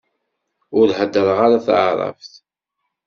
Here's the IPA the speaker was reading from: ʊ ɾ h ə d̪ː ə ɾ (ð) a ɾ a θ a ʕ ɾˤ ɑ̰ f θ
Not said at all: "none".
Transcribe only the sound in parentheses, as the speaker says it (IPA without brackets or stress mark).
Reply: ʁ